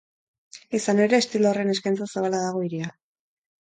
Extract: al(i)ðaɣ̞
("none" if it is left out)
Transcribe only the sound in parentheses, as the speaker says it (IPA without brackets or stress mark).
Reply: a